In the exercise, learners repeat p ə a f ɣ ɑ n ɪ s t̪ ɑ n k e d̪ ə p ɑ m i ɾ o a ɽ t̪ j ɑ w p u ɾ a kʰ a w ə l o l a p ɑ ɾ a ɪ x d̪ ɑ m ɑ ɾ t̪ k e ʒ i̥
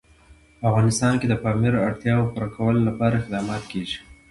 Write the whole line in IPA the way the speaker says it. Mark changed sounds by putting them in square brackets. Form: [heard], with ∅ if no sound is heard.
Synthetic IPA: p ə a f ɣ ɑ n ɪ s t̪ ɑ n k e d̪ ə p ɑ m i ɾ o a ɽ t̪ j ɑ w p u ɾ a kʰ a w ə l o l a p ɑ ɾ a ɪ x d̪ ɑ m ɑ [∅] t̪ k e ʒ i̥

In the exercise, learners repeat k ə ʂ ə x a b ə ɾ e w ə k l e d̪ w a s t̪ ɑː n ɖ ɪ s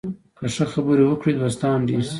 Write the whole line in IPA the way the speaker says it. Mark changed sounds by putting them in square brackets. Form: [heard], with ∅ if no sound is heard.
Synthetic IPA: k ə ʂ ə x a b ə ɾ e w ə k [ɽ] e d̪ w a s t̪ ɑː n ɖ [i] s

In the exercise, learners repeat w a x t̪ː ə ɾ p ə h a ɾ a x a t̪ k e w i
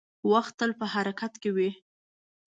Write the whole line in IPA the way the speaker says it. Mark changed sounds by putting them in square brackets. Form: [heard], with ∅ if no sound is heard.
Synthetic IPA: w a x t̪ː ə [l] p ə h a ɾ a [k] a t̪ k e w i

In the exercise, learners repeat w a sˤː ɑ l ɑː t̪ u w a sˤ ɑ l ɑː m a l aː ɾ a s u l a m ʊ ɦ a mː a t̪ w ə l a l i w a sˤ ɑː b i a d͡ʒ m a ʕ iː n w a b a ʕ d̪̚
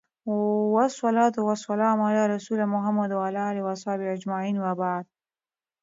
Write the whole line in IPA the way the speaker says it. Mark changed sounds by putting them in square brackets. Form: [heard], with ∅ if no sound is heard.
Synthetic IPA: w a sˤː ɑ l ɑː t̪ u w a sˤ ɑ l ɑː m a l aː ɾ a s u l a m ʊ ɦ a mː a [d̪] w [a] l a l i w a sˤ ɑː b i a d͡ʒ m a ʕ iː n w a b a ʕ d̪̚

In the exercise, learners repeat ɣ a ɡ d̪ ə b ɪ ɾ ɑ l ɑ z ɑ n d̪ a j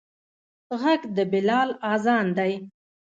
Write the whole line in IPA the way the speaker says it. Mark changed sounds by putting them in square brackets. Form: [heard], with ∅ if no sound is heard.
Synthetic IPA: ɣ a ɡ d̪ ə b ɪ [l] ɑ l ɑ z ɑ n d̪ a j

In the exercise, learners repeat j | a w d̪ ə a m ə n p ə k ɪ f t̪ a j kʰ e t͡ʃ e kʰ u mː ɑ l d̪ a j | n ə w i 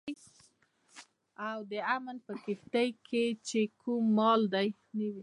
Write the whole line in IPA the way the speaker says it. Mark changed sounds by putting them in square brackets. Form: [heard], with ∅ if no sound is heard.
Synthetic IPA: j | a w d̪ ə a m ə n p ə k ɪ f t̪ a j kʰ e t͡ʃ e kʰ u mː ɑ l d̪ a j | n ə w i

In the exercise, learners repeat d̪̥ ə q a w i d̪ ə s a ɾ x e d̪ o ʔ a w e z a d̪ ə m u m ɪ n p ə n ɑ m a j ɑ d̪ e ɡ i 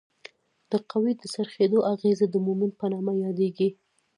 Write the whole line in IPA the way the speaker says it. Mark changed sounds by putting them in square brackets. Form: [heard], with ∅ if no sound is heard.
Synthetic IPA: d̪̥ ə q a w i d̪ ə s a ɾ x e d̪ o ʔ a [ɣ] e z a d̪ ə m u m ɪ n p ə n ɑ m a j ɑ d̪ e ɡ i

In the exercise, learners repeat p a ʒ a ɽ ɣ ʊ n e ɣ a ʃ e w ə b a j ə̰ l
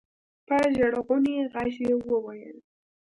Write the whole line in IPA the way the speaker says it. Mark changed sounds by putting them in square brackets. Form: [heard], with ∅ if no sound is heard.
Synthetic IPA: p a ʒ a ɽ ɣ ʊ n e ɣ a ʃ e w ə [w] a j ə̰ l

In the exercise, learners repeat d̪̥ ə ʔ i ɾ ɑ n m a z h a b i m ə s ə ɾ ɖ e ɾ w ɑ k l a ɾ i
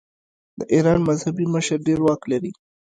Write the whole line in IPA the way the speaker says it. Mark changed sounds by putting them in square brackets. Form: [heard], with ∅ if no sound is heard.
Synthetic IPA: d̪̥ ə ʔ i ɾ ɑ n m a z h a b i m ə [ʃ] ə ɾ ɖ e ɾ w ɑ k l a ɾ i

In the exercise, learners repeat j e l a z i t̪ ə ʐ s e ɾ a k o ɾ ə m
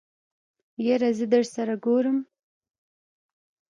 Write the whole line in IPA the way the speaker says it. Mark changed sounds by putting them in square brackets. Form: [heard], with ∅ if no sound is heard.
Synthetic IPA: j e [ɾ] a z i [d̪] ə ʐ s [a] ɾ a [ɡ] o ɾ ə m

